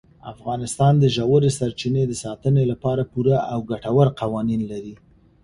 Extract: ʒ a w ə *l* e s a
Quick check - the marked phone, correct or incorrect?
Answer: incorrect